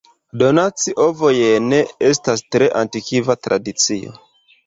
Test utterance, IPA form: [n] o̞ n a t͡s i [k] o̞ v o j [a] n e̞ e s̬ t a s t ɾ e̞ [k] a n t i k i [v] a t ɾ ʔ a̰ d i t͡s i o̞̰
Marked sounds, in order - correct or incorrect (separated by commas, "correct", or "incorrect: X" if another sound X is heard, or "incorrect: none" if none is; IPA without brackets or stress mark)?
incorrect: d, incorrect: ʔ, incorrect: e, incorrect: ʔ, correct